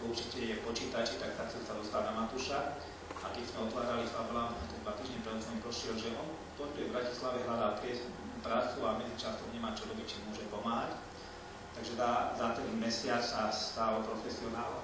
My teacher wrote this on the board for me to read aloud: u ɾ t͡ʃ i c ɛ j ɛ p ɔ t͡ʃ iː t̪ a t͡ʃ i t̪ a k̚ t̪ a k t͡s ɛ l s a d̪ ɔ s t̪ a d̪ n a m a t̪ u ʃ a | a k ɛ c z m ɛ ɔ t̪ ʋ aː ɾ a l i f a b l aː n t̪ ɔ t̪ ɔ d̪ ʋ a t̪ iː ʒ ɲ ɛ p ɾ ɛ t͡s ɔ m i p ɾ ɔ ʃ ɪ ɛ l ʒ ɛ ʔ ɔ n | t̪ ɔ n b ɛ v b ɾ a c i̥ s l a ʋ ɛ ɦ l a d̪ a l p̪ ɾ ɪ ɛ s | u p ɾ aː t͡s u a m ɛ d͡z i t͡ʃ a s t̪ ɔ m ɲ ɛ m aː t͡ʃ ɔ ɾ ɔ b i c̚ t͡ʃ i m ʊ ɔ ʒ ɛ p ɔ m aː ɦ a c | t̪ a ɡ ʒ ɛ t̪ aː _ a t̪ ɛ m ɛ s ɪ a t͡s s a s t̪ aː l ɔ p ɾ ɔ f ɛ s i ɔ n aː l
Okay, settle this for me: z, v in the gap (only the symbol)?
z